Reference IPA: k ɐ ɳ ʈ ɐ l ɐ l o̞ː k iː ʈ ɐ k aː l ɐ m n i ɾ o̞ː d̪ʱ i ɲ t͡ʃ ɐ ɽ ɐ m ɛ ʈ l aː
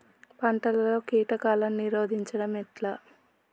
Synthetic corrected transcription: p ɐ ɳ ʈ ɐ l ɐ l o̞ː k iː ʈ ɐ k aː l ɐ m n i ɾ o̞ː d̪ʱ i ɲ t͡ʃ ɐ ɽ ɐ m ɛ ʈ l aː